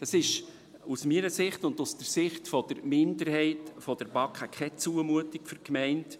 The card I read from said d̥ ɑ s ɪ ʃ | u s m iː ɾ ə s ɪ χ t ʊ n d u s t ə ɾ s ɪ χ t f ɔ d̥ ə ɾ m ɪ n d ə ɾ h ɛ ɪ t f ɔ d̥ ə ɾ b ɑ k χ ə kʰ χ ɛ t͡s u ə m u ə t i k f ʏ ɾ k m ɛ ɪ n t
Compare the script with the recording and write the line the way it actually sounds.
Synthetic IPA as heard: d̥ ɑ s ɪ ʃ | u s m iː ɾ ə s ɪ χ t ʊ n d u s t ə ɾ s ɪ χ t f ɔ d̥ ə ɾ m ɪ n d ə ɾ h ɛ ɪ t f ɔ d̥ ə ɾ b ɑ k χ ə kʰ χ ɛ t͡s u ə m u ə t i k f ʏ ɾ k m ɛ ɪ n t